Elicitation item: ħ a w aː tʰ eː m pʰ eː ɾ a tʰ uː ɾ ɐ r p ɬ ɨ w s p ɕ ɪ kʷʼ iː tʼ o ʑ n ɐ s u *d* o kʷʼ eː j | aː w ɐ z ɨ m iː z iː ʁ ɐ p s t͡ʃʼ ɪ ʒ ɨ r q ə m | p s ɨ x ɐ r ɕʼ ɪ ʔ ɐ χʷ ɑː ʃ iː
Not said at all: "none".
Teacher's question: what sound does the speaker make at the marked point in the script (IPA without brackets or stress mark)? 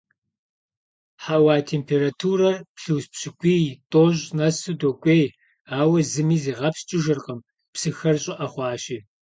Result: d